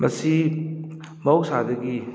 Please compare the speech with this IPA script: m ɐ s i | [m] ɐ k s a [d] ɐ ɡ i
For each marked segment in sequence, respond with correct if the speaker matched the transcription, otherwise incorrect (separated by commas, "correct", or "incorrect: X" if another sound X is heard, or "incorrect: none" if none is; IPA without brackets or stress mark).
correct, correct